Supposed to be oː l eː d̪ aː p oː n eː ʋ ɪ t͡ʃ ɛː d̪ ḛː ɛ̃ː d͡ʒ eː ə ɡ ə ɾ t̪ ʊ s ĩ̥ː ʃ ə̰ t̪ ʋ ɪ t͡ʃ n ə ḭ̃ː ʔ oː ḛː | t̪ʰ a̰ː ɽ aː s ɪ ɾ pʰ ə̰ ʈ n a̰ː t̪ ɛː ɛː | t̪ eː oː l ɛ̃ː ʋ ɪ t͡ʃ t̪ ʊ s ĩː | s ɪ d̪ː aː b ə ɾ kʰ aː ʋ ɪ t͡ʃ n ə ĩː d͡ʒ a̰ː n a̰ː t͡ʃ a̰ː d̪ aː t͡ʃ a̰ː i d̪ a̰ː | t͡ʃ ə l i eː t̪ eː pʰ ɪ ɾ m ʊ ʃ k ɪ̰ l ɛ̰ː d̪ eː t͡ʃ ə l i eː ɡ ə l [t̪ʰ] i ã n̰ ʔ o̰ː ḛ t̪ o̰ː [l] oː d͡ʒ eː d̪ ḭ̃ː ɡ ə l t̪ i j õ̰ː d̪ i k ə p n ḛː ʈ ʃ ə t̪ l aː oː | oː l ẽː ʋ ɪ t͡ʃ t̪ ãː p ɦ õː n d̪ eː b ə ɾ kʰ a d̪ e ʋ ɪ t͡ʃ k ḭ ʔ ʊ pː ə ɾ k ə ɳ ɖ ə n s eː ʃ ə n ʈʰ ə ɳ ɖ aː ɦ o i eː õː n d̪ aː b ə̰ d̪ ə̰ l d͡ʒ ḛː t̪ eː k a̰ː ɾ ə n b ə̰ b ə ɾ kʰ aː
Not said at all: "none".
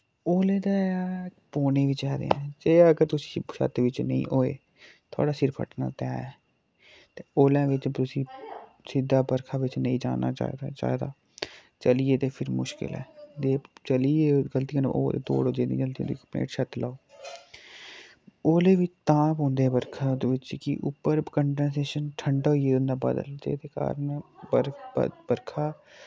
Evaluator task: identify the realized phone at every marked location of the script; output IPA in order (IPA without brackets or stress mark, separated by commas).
t̪, ɽ